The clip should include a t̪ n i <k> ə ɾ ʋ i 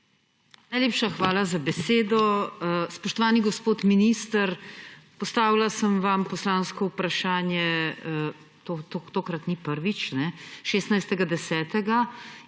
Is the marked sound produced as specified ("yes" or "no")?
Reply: no